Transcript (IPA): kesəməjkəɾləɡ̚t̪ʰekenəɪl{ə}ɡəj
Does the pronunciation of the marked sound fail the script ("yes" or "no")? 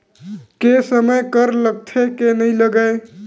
no